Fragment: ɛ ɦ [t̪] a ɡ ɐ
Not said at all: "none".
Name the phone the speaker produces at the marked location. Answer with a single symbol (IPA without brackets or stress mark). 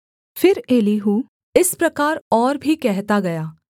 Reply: t̪